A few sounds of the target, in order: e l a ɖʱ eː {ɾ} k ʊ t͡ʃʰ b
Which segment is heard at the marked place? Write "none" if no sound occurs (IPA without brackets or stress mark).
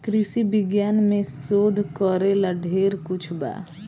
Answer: ɾ